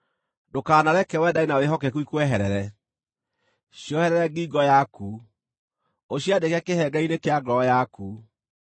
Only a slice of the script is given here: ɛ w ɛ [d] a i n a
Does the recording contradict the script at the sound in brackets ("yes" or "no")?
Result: no